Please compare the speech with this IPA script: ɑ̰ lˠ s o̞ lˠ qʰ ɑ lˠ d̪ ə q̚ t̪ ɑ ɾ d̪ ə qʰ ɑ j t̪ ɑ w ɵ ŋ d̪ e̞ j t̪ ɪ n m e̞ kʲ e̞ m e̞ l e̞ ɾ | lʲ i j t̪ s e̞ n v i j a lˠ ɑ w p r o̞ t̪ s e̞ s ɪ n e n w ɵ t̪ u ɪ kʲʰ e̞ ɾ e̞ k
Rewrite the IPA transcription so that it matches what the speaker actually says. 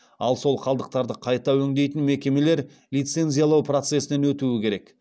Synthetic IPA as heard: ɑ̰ lˠ s o̞ lˠ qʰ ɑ lˠ d̪ ə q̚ t̪ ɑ ɾ d̪ ə qʰ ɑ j t̪ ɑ w ɵ ŋ d̪ e̞ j t̪ ɪ n m e̞ kʲ e̞ m e̞ l e̞ ɾ | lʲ i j t̪ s e̞ n z i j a lˠ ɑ w p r o̞ t̪ s e̞ s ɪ n e n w ɵ t̪ u ɪ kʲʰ e̞ ɾ e̞ k